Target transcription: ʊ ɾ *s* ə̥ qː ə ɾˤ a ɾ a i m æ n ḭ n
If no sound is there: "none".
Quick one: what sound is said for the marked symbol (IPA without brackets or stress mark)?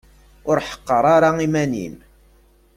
ħ